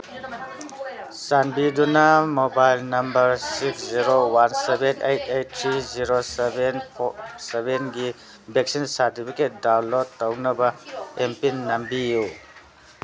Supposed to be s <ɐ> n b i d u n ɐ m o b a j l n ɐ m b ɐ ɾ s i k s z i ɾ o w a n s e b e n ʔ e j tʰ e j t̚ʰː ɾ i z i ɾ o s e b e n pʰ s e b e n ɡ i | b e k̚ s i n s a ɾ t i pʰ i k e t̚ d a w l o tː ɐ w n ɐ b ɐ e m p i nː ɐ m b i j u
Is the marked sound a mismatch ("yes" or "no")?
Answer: yes